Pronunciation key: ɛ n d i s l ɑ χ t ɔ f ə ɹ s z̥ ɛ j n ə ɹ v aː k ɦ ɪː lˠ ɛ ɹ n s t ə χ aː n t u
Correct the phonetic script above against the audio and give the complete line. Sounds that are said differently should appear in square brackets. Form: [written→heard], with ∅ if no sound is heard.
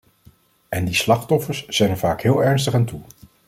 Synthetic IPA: ɛ n d i s l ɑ χ t ɔ f ə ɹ s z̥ ɛ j n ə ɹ v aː k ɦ ɪː lˠ ɛ ɹ n s t ə χ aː n t u